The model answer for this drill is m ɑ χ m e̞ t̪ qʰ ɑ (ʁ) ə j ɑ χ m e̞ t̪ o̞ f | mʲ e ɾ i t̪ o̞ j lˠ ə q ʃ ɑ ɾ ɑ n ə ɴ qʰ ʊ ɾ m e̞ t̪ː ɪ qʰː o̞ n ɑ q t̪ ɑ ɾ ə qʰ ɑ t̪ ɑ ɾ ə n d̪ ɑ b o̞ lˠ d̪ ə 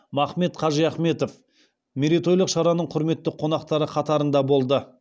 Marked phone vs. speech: incorrect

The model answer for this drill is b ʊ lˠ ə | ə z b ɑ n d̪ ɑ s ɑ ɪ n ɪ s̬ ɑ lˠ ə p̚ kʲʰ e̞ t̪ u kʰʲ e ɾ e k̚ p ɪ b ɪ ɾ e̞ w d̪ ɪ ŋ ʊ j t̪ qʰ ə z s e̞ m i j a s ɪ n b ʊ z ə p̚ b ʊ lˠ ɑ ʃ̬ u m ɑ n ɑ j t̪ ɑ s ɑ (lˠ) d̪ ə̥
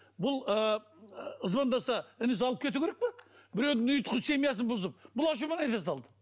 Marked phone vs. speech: correct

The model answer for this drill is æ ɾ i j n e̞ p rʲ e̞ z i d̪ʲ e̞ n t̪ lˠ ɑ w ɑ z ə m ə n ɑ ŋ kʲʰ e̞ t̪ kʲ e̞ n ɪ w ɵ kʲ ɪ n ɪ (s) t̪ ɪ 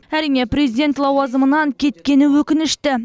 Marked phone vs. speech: incorrect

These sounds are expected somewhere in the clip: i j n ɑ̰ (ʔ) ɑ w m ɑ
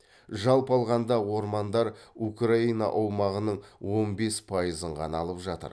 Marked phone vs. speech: correct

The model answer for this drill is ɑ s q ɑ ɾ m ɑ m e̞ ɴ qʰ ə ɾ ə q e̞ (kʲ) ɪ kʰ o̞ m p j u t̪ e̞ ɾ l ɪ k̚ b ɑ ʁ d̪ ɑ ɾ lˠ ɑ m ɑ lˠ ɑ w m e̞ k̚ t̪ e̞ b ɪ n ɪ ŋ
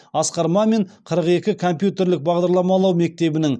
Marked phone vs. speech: correct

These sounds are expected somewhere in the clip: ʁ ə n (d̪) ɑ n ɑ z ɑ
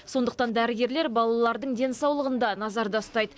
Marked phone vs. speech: correct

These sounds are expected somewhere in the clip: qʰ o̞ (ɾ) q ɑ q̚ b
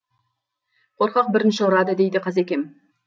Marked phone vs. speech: correct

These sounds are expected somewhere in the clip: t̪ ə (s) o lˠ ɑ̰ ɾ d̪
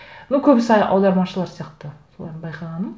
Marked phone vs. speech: correct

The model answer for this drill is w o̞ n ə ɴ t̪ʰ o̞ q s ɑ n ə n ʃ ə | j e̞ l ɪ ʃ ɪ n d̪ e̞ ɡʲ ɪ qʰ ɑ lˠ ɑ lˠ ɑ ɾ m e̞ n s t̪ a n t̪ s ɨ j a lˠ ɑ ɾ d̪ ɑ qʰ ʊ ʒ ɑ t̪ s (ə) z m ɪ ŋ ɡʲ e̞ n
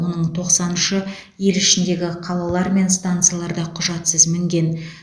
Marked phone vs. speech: correct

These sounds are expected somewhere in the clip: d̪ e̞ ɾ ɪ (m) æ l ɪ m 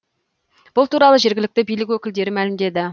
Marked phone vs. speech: correct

